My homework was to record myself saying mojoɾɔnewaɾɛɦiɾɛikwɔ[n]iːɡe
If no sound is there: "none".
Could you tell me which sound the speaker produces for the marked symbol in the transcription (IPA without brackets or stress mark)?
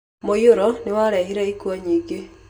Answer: ɲ